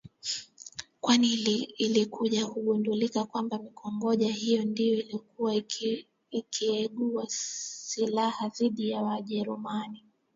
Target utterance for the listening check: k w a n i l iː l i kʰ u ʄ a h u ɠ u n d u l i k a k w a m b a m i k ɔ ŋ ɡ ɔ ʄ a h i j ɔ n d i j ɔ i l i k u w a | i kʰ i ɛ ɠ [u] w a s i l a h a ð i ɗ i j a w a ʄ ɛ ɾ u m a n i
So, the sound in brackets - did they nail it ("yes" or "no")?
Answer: yes